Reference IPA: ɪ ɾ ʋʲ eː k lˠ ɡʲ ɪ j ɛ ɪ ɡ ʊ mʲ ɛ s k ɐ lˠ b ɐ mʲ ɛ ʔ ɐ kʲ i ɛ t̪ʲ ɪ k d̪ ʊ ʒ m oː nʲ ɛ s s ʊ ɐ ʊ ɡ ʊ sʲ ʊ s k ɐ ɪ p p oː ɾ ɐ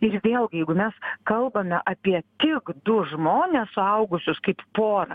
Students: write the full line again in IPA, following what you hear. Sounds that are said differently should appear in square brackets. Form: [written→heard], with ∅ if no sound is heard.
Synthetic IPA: ɪ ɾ ʋʲ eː [k→∅] lˠ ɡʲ ɪ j ɛ ɪ ɡ ʊ mʲ ɛ s k ɐ lˠ b ɐ mʲ ɛ ʔ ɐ [kʲ→pʲ] i ɛ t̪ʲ ɪ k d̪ ʊ ʒ m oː nʲ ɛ s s ʊ ɐ ʊ ɡ ʊ sʲ ʊ s k ɐ ɪ p p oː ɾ ɐ